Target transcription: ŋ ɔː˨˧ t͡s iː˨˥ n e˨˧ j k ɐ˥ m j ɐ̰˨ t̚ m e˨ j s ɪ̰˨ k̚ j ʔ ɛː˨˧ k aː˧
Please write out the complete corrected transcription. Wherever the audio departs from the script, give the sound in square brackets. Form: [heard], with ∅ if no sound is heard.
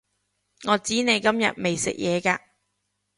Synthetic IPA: ŋ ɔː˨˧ t͡s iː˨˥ n e˨˧ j k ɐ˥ m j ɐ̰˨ t̚ m e˨ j s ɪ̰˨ k̚ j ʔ ɛː˨˧ k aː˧